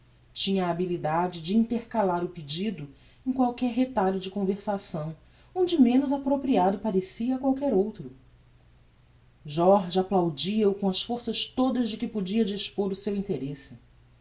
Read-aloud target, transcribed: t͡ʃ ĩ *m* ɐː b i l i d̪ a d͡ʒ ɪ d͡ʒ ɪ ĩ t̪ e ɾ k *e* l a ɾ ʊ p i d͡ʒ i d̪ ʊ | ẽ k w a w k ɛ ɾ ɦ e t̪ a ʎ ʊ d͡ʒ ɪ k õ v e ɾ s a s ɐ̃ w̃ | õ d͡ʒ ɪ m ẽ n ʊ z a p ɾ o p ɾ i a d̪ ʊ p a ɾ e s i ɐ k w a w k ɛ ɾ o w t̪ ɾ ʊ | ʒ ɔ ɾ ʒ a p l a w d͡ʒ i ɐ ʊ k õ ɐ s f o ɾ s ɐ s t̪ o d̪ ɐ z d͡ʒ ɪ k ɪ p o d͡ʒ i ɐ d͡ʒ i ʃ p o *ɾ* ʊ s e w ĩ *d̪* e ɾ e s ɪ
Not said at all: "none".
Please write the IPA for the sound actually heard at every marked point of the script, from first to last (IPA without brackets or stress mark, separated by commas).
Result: ɲ, a, ɾ, t̪